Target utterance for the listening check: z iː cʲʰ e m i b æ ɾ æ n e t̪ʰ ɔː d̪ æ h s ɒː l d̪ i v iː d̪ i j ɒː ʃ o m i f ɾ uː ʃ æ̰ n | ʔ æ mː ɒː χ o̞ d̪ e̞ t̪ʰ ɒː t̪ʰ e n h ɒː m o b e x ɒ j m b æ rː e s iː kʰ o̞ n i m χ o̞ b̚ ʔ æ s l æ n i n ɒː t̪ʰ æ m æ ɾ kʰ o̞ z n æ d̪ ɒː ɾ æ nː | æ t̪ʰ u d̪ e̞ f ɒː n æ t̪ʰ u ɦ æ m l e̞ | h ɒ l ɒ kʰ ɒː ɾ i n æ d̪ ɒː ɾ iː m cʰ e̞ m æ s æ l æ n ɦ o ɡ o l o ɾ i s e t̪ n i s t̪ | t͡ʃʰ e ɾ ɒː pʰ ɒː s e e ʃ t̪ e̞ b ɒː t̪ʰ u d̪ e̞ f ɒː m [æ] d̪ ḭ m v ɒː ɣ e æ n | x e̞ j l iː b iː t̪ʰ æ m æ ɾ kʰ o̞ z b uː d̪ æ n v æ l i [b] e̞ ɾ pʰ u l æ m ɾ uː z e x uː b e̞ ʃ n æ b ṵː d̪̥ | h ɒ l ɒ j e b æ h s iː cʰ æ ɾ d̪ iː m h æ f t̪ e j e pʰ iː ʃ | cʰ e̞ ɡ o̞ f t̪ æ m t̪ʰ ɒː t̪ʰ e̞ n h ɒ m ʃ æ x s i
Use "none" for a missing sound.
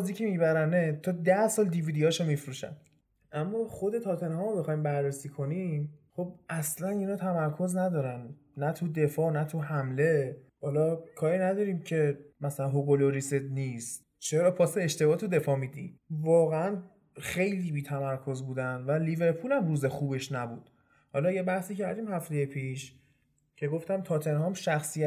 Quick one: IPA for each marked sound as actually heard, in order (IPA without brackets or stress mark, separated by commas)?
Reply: i, v